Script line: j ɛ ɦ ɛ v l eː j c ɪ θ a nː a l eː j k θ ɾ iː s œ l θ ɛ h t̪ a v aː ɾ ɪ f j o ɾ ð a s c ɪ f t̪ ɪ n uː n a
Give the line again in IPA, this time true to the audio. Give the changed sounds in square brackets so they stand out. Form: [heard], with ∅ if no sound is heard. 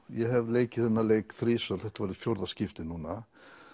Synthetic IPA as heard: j ɛ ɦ ɛ v l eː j c ɪ θ [ɛ] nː a l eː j k θ ɾ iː s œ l θ ɛ h t̪ a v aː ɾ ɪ f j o ɾ ð a s c ɪ f t̪ ɪ n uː n a